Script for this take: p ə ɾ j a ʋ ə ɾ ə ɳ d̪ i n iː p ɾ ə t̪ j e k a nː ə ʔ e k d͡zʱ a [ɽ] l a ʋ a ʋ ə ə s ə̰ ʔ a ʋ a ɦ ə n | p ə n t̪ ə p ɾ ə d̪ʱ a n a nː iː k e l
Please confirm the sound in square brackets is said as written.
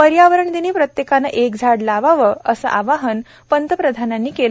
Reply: yes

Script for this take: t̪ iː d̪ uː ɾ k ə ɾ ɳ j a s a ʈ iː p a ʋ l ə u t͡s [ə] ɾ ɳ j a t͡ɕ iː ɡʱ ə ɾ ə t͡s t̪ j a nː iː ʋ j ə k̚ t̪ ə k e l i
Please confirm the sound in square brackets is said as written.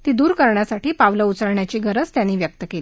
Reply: yes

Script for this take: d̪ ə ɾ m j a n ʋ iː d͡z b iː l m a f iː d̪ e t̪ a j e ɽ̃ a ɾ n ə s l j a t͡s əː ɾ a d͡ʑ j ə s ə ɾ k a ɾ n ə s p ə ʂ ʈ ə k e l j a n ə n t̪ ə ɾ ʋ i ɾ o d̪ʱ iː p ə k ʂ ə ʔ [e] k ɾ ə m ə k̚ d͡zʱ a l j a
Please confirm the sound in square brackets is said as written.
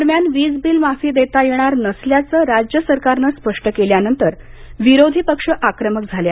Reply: no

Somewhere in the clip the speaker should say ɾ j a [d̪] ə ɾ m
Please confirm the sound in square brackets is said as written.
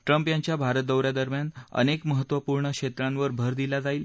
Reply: yes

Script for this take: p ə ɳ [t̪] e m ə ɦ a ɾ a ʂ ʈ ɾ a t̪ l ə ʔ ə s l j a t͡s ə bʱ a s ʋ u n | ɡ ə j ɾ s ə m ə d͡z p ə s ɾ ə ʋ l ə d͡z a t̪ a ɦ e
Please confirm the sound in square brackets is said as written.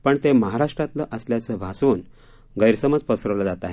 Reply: yes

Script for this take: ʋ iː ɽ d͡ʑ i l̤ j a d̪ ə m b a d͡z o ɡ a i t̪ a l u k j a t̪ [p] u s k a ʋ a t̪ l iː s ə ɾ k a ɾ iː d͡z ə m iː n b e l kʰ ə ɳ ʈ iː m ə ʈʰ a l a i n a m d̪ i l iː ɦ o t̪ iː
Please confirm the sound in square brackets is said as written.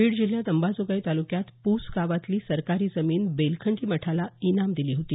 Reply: yes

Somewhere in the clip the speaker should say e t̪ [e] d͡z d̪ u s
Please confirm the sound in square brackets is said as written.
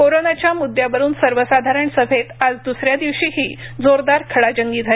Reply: no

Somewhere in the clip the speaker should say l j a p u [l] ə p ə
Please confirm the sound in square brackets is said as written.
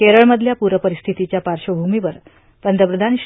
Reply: no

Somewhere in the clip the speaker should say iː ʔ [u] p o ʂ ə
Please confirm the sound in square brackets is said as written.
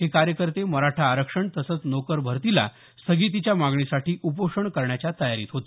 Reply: yes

